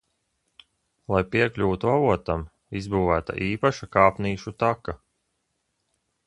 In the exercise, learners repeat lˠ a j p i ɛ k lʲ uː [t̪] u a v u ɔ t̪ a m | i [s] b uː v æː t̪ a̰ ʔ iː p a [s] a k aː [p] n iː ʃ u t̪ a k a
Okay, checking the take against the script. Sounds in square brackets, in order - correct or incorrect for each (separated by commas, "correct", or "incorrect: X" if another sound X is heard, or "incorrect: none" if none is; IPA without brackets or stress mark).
correct, incorrect: z, incorrect: ʃ, correct